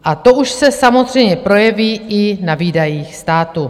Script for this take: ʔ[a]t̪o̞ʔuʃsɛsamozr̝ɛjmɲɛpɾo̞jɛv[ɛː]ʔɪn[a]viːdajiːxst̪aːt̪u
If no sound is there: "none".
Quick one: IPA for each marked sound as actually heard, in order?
a, iː, a

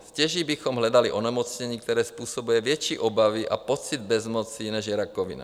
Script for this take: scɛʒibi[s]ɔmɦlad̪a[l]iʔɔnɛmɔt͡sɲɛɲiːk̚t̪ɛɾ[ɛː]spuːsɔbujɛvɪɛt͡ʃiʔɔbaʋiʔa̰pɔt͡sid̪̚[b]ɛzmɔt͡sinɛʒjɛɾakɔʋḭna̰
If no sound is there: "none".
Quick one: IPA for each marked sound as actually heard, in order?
x, l, ɛː, b

